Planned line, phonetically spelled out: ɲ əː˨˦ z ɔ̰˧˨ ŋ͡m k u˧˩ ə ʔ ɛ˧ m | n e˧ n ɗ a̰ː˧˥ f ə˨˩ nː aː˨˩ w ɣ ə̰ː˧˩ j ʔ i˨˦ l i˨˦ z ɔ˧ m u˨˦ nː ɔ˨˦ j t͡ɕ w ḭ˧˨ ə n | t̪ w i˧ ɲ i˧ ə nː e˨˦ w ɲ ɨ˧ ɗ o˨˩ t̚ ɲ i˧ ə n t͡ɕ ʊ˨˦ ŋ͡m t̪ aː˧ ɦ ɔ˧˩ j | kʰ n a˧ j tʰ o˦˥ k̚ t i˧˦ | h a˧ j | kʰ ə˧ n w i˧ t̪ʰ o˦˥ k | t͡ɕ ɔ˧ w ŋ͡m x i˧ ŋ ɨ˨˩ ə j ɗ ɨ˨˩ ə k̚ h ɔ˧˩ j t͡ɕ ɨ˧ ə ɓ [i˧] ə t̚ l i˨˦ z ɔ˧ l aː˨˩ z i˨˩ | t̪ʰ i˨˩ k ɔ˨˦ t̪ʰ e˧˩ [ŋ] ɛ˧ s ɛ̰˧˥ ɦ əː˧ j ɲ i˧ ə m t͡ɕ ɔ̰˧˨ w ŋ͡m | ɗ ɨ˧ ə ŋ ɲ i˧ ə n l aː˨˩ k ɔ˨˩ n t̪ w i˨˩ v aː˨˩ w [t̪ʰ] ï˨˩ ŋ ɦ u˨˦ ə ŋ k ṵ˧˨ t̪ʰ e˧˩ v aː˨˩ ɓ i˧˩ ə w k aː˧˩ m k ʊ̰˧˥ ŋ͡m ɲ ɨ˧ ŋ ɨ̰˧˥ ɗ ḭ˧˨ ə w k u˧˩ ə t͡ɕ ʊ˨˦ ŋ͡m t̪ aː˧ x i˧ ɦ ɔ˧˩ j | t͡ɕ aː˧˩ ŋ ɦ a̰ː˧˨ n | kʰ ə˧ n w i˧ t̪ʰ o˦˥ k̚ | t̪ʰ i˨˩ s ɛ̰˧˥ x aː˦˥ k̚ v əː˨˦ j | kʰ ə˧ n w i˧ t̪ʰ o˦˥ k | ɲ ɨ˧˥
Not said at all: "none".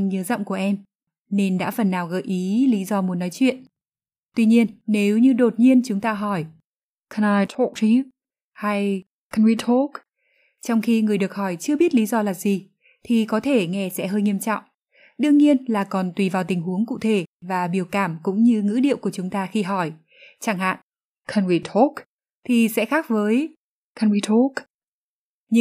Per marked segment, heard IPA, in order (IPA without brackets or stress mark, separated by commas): i˦˥, ŋ, t̪